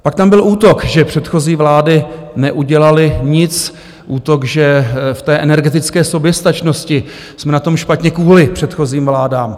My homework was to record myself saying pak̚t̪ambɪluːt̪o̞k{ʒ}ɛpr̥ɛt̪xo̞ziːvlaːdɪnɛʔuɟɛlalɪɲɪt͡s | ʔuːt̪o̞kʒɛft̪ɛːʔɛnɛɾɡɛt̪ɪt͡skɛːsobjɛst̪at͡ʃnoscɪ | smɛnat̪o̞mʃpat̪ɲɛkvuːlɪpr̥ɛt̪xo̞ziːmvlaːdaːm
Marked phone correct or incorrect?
correct